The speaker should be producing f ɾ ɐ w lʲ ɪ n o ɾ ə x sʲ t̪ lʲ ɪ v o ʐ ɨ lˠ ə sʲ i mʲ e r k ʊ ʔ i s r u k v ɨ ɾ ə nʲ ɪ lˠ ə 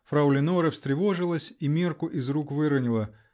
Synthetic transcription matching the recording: f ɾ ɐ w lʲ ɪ n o ɾ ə f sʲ t̪ ɾʲ ɪ v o ʐ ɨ lˠ ə sʲ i mʲ e r k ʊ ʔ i z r u k v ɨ ɾ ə nʲ ɪ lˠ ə